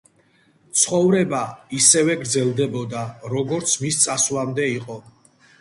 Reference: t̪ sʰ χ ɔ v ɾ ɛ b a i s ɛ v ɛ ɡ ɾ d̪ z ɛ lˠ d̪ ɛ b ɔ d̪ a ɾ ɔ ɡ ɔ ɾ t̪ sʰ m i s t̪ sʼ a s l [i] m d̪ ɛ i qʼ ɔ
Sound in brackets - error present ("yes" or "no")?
yes